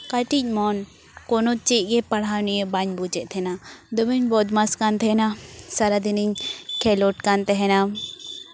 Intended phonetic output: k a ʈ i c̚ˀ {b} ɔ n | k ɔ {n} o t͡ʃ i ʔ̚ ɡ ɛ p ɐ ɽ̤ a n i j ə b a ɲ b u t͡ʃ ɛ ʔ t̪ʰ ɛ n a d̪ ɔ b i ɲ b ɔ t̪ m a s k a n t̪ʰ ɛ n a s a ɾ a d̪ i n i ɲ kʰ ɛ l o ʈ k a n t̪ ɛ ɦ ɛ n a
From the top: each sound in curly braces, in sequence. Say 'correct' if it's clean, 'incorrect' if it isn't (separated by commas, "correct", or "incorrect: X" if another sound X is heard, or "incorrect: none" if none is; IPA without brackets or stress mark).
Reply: incorrect: m, correct